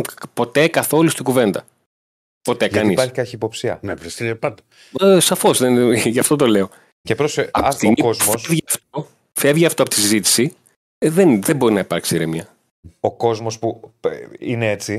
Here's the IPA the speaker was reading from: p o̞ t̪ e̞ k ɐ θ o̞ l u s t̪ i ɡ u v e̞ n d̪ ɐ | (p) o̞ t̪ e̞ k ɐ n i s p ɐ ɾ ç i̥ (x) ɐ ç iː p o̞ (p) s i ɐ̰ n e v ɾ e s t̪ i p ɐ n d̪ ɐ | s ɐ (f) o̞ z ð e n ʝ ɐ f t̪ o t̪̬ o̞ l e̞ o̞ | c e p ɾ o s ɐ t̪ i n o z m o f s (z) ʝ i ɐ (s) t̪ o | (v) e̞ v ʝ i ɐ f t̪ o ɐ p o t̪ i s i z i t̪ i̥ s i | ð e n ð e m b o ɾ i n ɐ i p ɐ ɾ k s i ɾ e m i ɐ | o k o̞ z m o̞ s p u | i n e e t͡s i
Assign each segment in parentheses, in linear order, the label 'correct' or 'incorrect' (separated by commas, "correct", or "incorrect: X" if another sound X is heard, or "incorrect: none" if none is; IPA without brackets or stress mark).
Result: correct, incorrect: k, correct, correct, incorrect: v, incorrect: f, incorrect: f